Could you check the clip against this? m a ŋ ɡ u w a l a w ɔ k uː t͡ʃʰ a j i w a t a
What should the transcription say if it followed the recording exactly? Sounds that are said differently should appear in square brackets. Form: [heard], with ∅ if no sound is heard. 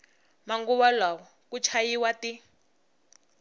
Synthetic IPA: m a ŋ ɡ u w a l a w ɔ k [u] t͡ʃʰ a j i w a t [i]